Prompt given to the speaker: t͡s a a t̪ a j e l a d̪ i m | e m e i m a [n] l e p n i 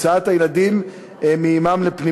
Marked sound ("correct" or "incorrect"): incorrect